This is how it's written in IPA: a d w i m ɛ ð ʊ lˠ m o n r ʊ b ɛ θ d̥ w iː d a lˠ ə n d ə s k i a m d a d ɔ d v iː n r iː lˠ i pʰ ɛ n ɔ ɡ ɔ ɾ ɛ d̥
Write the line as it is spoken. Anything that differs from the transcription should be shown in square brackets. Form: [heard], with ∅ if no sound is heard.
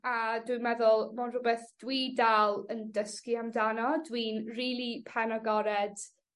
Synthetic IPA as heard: a d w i m ɛ ð ʊ lˠ m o n r ʊ b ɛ θ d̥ w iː d a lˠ ə n d ə s k i a m d a [n] ɔ d [w] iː n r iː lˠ i pʰ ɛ n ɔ ɡ ɔ ɾ ɛ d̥

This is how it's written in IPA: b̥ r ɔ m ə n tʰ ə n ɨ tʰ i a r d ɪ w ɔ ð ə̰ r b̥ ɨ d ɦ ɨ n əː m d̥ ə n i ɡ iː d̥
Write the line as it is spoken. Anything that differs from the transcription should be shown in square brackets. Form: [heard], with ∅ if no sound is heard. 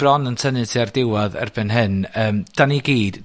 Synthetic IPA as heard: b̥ r ɔ [n] ə n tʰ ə n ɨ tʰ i a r d ɪ w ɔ ð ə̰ r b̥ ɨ [n] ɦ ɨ n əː m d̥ [a] n i ɡ iː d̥

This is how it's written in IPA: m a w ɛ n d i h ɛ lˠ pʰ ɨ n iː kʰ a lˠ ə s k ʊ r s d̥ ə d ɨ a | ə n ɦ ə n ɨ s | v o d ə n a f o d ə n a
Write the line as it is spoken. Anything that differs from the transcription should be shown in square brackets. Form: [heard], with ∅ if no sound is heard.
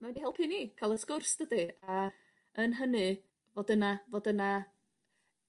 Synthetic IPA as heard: m a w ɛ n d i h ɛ lˠ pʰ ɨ n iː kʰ a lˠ ə s k ʊ r s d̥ ə d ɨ a | ə n ɦ ə n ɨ [∅] | v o d ə n a [v] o d ə n a

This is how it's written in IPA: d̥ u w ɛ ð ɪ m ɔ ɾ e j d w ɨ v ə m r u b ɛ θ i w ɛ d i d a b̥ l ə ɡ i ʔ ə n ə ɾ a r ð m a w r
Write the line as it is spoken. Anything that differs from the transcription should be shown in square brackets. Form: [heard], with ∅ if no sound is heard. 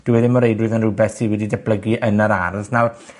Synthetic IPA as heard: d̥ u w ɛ ð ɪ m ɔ ɾ e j d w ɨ [ð] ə [n] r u b ɛ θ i w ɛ d i d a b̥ l ə ɡ i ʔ ə n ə ɾ a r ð [n] a w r

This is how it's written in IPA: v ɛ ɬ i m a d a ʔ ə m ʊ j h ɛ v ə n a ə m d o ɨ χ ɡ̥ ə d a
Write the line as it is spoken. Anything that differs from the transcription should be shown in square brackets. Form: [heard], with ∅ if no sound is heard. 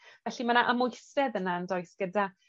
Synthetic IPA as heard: v ɛ ɬ i m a [n] a ʔ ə m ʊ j [s] ɛ [ð] ə n a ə [n] d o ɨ [s] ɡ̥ ə d a

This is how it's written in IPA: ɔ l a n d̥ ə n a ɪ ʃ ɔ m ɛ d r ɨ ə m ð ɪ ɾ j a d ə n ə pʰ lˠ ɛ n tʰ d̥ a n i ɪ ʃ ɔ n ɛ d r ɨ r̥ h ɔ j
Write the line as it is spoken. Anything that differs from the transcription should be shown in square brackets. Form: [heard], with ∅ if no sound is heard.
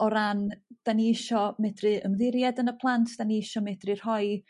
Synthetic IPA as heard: ɔ [ɾ] a n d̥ [a] n [i] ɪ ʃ ɔ m ɛ d r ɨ ə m ð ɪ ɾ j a d ə n ə pʰ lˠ [a] n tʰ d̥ a n i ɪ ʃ ɔ [m] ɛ d r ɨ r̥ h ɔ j

